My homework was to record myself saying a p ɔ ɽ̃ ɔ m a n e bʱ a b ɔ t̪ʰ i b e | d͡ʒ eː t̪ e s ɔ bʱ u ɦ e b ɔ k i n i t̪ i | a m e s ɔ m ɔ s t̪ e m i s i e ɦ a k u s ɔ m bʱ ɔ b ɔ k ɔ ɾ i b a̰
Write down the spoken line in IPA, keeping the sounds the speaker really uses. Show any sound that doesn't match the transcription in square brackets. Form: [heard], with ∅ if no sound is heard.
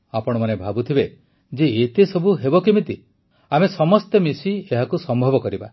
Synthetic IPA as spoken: a p ɔ ɽ̃ ɔ m a n e bʱ a b [u] t̪ʰ i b e | d͡ʒ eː t̪ e s ɔ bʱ u ɦ e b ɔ k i [m] i t̪ i | a m e s ɔ m ɔ s t̪ e m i s i e ɦ a k u s ɔ m bʱ ɔ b ɔ k ɔ ɾ i b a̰